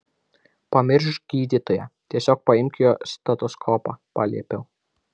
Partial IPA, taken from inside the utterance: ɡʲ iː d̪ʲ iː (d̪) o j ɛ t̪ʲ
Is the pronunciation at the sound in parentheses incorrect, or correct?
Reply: incorrect